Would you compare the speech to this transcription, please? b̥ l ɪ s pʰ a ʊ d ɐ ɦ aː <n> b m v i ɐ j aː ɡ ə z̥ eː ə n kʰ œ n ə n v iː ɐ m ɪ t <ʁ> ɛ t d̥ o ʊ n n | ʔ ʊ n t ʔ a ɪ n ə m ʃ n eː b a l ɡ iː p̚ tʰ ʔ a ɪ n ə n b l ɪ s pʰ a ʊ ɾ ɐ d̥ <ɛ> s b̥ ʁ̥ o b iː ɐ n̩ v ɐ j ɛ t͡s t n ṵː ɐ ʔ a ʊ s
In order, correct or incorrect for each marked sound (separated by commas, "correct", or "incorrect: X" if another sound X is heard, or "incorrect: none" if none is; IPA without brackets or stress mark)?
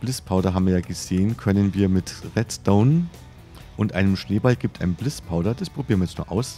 incorrect: none, correct, incorrect: a